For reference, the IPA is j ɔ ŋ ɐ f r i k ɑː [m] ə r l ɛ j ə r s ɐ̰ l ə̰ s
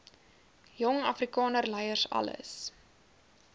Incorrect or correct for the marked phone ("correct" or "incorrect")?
incorrect